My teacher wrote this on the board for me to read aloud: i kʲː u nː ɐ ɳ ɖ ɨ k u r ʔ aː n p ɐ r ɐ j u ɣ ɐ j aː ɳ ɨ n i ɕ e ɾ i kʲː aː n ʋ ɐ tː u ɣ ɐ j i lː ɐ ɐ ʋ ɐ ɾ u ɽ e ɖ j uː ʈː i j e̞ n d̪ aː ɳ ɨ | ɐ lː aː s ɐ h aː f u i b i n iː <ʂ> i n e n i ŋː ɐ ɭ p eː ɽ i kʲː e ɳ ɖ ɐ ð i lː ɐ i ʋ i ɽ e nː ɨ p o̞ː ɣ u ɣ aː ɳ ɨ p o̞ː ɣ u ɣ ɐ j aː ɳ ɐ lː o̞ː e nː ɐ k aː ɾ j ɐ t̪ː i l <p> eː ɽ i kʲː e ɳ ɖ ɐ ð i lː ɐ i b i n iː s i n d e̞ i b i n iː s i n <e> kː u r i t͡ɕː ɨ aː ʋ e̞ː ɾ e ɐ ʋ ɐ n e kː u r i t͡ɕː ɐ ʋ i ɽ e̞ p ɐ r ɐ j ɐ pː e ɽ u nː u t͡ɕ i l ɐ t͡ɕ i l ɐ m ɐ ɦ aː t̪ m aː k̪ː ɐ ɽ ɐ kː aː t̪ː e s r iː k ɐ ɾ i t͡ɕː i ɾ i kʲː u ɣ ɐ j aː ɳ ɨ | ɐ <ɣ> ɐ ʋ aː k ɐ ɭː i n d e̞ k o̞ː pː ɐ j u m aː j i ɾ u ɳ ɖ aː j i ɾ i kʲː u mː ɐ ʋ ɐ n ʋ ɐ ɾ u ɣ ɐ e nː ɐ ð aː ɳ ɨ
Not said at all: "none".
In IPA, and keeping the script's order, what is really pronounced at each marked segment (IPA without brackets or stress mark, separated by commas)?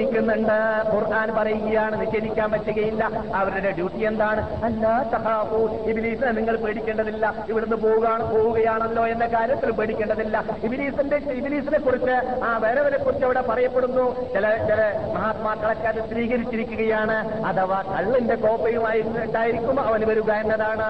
s, p, e, ð